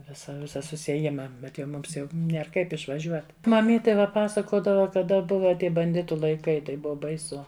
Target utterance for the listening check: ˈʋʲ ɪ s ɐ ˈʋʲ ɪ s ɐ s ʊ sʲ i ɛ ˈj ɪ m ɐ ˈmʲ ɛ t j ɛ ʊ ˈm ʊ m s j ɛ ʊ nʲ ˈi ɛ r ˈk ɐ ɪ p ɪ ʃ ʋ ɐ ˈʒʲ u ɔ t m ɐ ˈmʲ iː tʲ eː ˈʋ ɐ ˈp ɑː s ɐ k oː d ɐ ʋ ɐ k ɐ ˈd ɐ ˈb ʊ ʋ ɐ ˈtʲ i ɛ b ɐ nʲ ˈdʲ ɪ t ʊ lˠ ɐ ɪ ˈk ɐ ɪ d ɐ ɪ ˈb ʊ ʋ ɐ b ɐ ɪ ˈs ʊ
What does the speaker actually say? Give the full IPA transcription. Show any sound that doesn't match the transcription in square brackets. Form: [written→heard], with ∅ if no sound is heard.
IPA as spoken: ˈʋʲ ɪ s ɐ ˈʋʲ ɪ s ɐ s ʊ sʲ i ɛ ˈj ɪ m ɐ [ˈmʲ→ˈbʲ] ɛ t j ɛ ʊ ˈm ʊ m s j ɛ ʊ nʲ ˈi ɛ r ˈk ɐ ɪ p ɪ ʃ ʋ ɐ ˈʒʲ u ɔ t m ɐ ˈmʲ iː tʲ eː ˈʋ ɐ ˈp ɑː s ɐ k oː d ɐ ʋ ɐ k ɐ ˈd ɐ ˈb ʊ ʋ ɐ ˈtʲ i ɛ b ɐ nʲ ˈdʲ ɪ t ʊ lˠ ɐ ɪ ˈk ɐ ɪ [d→t] ɐ ɪ ˈb ʊ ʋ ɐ b ɐ ɪ ˈs ʊ

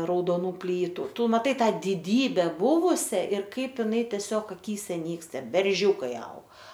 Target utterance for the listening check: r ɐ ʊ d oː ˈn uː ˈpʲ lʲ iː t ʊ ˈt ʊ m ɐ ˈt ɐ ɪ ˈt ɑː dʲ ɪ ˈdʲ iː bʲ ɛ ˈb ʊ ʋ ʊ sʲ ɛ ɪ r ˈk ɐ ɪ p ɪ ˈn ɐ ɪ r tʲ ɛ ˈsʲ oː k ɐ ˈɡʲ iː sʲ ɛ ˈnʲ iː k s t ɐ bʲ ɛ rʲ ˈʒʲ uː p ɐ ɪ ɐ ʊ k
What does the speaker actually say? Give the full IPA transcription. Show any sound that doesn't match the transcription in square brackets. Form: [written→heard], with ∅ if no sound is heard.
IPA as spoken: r ɐ ʊ d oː ˈn uː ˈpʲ lʲ iː t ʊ ˈt ʊ m ɐ ˈt ɐ ɪ ˈt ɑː dʲ ɪ ˈdʲ iː bʲ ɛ ˈb ʊ ʋ ʊ sʲ ɛ ɪ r ˈk ɐ ɪ p ɪ ˈn ɐ ɪ [r→∅] tʲ ɛ ˈsʲ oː k ɐ [ˈɡʲ→ˈkʲ] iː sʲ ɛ ˈnʲ iː k s t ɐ bʲ ɛ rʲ ˈʒʲ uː [p→k] ɐ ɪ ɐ ʊ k

